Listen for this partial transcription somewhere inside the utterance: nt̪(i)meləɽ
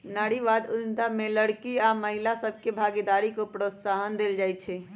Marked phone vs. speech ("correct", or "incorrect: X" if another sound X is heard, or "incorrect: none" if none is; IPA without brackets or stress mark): incorrect: a